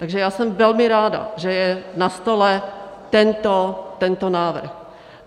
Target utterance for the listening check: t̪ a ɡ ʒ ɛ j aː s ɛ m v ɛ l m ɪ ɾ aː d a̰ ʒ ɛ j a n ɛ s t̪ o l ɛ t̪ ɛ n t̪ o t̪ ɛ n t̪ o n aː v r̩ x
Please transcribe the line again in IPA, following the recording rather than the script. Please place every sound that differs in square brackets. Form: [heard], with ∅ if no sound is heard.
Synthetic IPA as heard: t̪ a ɡ ʒ ɛ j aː s ɛ m v ɛ l m ɪ ɾ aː d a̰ ʒ ɛ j [ɛ] n [a] s t̪ o l ɛ t̪ ɛ n t̪ o t̪ ɛ n t̪ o n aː v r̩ x